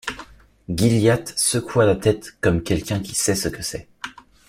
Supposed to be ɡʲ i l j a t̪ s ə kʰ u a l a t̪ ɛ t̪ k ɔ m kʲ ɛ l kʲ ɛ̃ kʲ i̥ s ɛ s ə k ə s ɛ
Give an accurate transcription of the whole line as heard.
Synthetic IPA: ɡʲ i l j a t̪ s ə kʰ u a l a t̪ ɛ t̪ k ɔ m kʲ ɛ l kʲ ɛ̃ kʲ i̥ s ɛ s ə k ə s ɛ

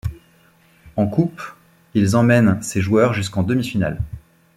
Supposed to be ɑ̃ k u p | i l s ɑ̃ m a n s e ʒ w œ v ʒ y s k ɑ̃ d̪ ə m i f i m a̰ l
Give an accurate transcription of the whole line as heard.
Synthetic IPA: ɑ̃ k u p | i l z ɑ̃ m ɛ n s e ʒ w œ ʁ ʒ y s k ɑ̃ d̪ ə m i f i n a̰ l

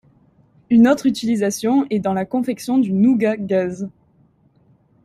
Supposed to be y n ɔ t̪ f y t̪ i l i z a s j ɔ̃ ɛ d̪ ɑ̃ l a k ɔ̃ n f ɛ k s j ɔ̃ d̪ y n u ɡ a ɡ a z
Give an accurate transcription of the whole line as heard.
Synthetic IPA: y n ɔ t̪ χ y t̪ i l i z a s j ɔ̃ ɛ d̪ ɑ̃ l a k ɔ̃ f ɛ k s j ɔ̃ d̪ y n u ɡ a ɡ a z

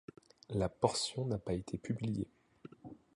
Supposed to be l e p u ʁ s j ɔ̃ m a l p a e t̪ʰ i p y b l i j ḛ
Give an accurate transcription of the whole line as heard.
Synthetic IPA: l a p ɔ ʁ s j ɔ̃ n a p a e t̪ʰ e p y b l i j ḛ

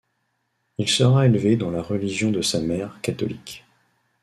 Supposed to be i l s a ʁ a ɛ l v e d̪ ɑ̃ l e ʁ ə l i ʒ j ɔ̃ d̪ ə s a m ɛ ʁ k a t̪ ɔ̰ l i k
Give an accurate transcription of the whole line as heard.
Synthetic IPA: i l s ə ʁ a e l v e d̪ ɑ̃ l a ʁ ə l i ʒ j ɔ̃ d̪ ə s a m ɛ ʁ k a t̪ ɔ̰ l i k

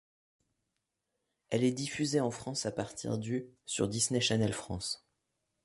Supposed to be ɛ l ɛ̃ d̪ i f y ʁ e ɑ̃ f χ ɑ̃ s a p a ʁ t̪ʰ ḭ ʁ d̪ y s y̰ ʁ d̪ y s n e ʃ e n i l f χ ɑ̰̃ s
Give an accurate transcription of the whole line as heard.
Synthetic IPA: ɛ l ɛ d̪ i f y z e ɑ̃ f χ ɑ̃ s a p a ʁ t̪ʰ ḭ ʁ d̪ y s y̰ ʁ d̪ i s n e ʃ a n ɛ l f χ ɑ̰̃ s

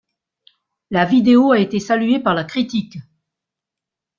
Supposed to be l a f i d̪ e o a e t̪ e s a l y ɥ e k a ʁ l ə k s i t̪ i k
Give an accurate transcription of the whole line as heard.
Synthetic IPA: l a v i d̪ e o a e t̪ e s a l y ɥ e p a ʁ l a k χ i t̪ i k

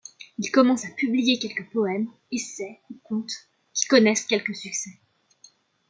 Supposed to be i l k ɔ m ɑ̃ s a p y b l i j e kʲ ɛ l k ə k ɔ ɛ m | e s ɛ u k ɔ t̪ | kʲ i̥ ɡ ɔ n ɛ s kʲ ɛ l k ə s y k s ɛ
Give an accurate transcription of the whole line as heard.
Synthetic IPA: i l k ɔ m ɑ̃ s a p y b l i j e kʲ ɛ l k ə p ɔ ɛ m | e s ɛ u k ɔ̃ t̪ | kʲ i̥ k ɔ n ɛ s kʲ ɛ l k ə s y k s ɛ

